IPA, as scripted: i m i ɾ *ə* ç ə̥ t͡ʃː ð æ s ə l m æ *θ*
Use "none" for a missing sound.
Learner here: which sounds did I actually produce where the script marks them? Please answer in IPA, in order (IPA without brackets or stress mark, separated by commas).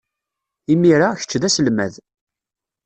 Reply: a, ð